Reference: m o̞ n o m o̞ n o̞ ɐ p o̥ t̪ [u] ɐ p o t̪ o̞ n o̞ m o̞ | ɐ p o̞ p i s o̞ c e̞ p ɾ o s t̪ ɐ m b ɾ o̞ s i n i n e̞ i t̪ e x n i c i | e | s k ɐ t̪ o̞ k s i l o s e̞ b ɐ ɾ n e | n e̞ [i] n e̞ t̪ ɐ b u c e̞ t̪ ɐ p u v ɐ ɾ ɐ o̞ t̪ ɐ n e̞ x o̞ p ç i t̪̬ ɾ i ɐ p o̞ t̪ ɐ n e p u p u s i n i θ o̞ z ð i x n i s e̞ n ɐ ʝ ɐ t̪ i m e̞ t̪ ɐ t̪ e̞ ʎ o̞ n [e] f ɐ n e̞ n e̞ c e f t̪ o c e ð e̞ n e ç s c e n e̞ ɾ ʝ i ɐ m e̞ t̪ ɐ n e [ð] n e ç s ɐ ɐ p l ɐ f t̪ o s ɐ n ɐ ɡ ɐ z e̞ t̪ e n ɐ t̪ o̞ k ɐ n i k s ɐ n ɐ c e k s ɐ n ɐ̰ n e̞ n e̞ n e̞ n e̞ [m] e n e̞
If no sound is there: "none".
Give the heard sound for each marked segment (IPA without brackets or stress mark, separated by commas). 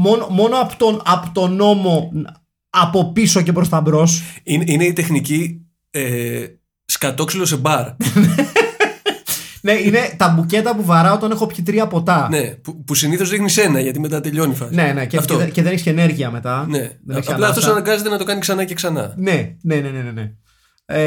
o, i, i, ð, n